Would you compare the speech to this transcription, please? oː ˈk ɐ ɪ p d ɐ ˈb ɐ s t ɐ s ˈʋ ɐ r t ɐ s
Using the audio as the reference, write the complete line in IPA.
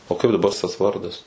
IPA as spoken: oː ˈk ɐ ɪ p d ɐ ˈb ɐ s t ɐ s ˈʋ ɐ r d ɐ s